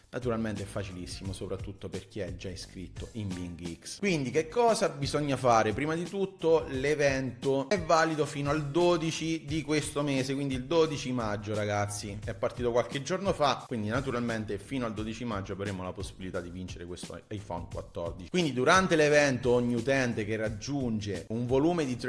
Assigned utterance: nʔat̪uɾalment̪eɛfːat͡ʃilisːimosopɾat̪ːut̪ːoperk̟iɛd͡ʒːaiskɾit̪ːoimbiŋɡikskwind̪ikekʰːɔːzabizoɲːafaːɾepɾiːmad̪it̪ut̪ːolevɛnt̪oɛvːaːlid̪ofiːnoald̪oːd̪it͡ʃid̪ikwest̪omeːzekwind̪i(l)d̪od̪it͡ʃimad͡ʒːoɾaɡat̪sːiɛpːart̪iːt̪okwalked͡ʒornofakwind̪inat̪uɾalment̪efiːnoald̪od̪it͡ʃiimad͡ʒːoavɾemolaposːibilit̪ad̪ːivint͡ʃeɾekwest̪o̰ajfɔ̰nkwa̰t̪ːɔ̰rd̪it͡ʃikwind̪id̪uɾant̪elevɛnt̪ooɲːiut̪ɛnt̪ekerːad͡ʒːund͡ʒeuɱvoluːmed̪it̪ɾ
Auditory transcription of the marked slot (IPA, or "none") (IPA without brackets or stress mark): l